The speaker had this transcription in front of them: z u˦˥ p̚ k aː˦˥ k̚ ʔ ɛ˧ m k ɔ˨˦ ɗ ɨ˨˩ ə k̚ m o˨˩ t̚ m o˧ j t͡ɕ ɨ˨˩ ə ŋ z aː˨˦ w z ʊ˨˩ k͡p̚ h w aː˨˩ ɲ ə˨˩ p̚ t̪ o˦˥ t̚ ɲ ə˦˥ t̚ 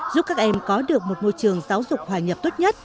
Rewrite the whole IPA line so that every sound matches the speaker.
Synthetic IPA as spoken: z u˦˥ p̚ k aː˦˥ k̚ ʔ ɛ˧ m k ɔ˨˦ ɗ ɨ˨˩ ə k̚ m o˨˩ t̚ m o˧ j t͡ɕ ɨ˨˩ ə ŋ z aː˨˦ w z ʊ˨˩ k͡p̚ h w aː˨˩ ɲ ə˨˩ p̚ t̪ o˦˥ t̚ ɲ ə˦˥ t̚